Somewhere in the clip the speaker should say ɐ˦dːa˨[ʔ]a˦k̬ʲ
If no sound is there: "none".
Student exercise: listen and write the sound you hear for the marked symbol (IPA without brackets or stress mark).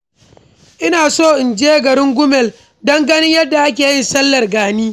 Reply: ʔ